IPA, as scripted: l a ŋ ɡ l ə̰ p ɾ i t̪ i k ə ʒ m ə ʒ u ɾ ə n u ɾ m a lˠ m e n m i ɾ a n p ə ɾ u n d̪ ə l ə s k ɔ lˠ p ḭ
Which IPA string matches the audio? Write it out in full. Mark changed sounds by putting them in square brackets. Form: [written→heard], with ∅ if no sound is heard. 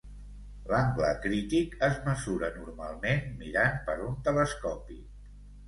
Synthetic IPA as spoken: l a ŋ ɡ l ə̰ [p→k] ɾ i t̪ i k ə [ʒ→z] m ə [ʒ→z] u ɾ ə n u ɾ m a lˠ m e n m i ɾ a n p ə ɾ u n [d̪→t̪] ə l ə s k ɔ [lˠ→∅] p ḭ